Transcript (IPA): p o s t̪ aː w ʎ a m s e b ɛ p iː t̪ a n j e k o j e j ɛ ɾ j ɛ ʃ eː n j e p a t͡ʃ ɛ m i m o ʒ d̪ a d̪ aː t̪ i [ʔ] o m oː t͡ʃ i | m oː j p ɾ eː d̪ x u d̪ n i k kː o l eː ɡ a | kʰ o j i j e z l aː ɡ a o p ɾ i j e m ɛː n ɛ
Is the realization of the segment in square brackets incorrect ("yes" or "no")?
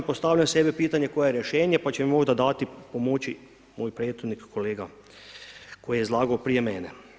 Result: yes